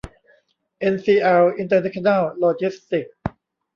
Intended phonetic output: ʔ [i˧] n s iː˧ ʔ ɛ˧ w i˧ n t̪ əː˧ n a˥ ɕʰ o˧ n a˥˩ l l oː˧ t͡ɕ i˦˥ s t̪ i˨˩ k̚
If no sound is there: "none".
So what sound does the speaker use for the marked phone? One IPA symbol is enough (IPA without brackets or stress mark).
e˧